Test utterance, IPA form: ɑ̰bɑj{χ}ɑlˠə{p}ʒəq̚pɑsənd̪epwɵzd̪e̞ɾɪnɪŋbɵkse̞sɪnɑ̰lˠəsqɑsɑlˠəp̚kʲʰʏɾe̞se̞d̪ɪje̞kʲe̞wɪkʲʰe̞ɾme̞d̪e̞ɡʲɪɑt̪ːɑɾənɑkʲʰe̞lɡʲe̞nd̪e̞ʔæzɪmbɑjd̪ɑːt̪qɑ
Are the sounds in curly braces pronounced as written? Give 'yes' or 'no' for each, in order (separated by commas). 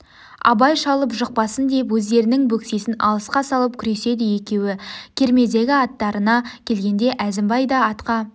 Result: no, yes